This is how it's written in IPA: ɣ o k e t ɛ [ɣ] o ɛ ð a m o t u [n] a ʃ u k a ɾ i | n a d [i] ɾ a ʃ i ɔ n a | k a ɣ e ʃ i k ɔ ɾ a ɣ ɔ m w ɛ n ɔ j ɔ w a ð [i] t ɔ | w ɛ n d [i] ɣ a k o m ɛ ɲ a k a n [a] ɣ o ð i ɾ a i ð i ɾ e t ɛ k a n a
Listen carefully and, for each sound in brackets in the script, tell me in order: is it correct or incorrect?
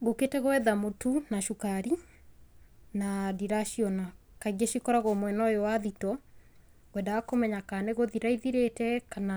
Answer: correct, correct, correct, correct, incorrect, incorrect

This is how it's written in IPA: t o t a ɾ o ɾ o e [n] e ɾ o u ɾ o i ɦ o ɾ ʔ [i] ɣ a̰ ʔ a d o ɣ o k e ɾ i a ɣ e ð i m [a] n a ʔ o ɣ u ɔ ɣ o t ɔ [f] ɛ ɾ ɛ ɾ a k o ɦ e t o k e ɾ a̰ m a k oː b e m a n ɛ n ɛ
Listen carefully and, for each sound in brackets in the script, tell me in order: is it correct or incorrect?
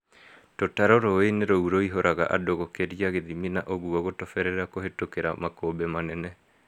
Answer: correct, incorrect, incorrect, correct

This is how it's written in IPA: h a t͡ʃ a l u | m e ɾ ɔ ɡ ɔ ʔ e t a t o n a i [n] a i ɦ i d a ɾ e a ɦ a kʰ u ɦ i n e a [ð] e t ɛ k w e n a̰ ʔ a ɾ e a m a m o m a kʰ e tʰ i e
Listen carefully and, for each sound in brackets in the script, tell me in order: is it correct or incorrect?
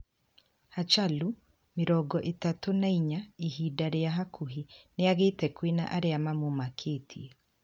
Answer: incorrect, incorrect

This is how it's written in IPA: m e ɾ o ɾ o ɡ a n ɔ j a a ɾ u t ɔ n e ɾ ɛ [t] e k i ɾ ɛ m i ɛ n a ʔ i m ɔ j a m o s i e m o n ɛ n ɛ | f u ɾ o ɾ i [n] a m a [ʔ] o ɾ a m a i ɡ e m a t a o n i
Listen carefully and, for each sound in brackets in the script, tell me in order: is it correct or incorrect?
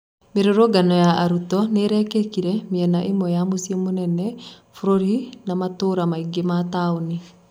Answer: incorrect, correct, incorrect

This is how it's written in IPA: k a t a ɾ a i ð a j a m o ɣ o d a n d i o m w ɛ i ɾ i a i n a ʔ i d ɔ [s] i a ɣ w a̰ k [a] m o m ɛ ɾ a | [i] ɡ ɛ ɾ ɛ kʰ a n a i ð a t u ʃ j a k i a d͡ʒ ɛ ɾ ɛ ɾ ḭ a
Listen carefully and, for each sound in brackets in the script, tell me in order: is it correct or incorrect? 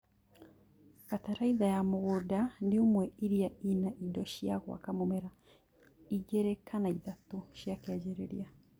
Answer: incorrect, correct, correct

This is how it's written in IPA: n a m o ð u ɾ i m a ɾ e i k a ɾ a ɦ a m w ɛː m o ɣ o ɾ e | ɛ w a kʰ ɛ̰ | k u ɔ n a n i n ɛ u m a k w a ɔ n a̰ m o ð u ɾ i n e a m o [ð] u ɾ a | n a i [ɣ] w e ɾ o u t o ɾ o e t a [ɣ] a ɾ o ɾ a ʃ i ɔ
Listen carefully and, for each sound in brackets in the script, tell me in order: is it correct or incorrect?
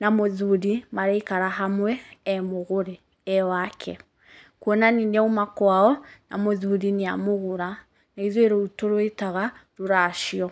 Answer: incorrect, incorrect, correct

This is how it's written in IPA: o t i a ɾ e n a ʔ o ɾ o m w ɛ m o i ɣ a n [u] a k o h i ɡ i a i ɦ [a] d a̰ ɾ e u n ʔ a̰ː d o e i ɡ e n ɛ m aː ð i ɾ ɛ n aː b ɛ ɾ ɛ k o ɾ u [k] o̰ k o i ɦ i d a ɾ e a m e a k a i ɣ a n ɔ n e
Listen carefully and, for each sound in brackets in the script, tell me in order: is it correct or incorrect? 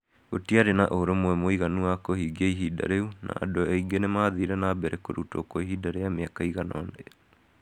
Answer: correct, incorrect, incorrect

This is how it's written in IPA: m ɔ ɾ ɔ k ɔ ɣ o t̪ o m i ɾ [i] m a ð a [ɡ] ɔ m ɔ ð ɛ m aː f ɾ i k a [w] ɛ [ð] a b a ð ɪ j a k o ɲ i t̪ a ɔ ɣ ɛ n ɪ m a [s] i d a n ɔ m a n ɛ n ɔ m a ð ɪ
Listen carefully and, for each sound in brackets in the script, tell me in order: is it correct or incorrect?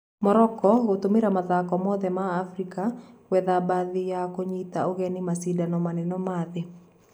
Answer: incorrect, incorrect, correct, correct, correct

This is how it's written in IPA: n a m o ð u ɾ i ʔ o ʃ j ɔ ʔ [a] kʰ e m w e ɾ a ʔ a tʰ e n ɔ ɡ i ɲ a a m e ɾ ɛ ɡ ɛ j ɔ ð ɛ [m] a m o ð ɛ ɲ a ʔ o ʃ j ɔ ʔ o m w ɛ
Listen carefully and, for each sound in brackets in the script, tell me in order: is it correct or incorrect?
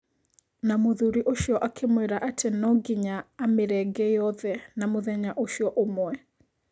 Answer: correct, incorrect

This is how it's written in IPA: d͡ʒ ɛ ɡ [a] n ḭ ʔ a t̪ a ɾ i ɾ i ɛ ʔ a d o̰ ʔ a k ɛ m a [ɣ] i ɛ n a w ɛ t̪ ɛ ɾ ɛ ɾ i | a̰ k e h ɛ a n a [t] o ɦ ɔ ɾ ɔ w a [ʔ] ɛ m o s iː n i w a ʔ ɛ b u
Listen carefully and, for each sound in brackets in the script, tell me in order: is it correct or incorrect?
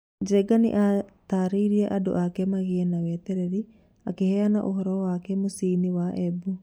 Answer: correct, correct, incorrect, incorrect

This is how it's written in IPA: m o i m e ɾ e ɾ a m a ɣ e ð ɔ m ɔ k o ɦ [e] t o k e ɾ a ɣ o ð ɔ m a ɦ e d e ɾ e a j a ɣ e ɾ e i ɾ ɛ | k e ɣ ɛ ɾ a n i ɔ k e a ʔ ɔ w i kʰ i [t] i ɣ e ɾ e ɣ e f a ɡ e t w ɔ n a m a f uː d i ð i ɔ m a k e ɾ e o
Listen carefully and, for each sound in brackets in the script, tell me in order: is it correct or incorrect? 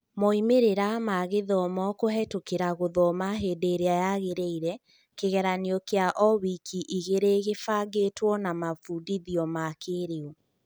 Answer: incorrect, incorrect

